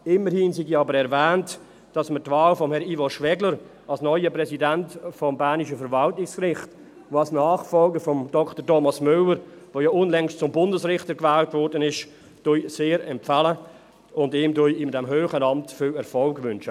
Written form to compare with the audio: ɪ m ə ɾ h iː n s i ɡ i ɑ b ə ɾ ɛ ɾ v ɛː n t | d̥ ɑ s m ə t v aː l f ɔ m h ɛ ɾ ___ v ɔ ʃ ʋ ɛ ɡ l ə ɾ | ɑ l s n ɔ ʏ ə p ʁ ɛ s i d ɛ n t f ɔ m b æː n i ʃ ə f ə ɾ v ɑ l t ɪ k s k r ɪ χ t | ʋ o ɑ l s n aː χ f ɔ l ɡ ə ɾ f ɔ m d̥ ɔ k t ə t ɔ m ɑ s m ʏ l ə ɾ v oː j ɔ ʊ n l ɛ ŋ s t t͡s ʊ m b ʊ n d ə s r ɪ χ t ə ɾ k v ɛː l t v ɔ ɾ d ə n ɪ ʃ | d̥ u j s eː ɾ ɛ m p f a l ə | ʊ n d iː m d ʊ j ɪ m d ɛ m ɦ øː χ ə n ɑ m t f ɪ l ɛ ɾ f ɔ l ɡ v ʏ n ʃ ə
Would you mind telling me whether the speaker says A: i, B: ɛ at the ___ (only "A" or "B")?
A